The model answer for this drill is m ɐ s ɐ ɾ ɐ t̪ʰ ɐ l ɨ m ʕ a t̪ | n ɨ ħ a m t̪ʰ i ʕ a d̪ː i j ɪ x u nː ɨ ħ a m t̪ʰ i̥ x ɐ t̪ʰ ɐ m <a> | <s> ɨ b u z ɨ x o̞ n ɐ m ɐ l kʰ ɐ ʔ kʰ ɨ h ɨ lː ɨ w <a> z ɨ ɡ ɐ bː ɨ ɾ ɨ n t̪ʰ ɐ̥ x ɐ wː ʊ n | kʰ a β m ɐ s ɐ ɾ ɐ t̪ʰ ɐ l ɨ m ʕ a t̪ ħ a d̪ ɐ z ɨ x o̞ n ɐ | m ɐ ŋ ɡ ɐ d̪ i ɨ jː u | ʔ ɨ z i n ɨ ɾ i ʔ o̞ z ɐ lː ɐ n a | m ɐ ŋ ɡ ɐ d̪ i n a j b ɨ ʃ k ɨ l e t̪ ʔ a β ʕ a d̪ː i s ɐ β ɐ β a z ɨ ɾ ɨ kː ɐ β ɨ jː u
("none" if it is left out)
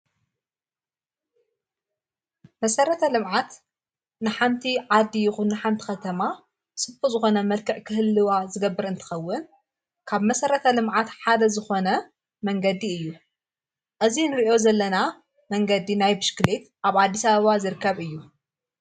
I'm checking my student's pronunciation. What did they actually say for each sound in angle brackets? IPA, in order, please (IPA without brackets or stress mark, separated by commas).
a, s, a